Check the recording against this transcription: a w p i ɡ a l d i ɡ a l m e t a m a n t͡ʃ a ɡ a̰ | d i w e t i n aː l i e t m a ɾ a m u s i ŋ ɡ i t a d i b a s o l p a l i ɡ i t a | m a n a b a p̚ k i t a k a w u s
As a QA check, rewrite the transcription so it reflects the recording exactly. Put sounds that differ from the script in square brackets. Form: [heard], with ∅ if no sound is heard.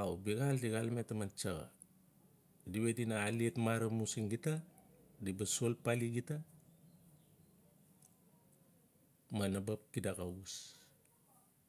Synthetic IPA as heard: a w [b] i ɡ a l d i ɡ a l m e t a m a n t͡ʃ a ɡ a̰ | d i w e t i n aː l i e t m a ɾ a m u s i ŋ ɡ i t a d i b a s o l p a l i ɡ i t a | m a n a b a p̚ k i [d] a k a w u s